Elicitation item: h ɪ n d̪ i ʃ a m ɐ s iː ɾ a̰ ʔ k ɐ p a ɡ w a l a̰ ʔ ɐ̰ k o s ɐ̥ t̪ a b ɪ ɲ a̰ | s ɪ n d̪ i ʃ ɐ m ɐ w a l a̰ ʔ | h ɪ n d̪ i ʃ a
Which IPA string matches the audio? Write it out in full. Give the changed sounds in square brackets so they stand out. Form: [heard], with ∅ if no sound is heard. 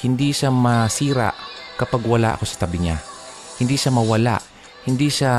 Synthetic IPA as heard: h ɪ n d̪ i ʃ a m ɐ s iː ɾ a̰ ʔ k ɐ p a ɡ w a l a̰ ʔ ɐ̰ k o s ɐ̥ t̪ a b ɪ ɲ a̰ | [h] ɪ n d̪ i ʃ [a] m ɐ w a l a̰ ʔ | h ɪ n d̪ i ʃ a